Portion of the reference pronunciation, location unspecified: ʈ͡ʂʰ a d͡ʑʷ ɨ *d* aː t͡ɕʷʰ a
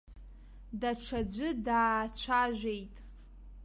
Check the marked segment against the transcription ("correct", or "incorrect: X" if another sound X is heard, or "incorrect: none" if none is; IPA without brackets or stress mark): correct